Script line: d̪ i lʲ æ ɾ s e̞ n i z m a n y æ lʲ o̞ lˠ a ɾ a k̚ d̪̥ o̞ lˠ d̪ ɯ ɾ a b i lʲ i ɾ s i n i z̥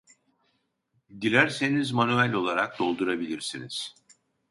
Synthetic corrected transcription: d̪ i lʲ æ ɾ s e̞ n i z m a n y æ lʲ o̞ lˠ a ɾ a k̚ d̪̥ o̞ lˠ d̪ u ɾ a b i lʲ i ɾ s i n i z̥